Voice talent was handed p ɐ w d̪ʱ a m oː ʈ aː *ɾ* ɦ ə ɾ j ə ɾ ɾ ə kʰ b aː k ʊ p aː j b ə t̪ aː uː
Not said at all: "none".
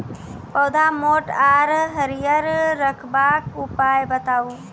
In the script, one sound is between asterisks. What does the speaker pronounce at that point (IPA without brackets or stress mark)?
ɾ